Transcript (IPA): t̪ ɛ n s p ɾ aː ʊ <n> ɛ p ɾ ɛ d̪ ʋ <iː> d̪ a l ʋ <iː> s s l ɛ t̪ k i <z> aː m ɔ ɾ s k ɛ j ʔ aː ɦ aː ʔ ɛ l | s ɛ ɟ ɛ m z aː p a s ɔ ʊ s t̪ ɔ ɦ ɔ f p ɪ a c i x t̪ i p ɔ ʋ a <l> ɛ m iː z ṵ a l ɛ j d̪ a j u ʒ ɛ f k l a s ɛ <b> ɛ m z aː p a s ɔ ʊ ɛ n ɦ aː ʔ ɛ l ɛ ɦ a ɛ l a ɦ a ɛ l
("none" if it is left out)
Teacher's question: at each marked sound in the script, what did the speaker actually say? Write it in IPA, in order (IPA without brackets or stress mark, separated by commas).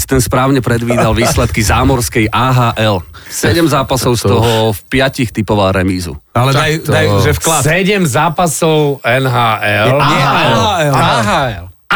ɲ, iː, iː, z, ɾ, ɟ